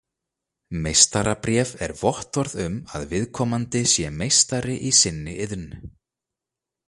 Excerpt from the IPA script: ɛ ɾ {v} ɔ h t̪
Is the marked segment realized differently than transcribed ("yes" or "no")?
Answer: no